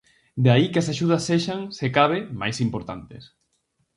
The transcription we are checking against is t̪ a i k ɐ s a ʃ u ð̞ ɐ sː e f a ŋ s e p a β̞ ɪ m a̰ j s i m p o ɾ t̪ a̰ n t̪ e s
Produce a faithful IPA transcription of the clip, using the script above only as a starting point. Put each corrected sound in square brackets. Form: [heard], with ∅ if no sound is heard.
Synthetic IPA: [d̪] a i k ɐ s a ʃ u ð̞ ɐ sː e [ʃ] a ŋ s e [k] a β̞ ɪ m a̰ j s i m p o ɾ t̪ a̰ n t̪ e s